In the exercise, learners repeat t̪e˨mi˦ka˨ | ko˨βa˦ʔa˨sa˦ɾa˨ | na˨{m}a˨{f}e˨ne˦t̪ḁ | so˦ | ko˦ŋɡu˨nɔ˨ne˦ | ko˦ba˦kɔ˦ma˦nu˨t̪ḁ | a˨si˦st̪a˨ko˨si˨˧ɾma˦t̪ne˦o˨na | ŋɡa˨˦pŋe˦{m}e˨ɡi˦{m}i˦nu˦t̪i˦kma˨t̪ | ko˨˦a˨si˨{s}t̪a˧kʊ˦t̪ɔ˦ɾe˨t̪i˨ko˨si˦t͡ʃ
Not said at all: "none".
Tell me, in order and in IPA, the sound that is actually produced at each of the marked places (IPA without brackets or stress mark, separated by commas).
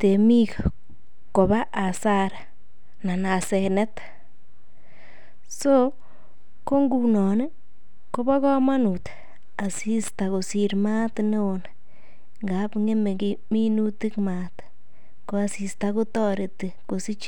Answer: n, s, m, m, s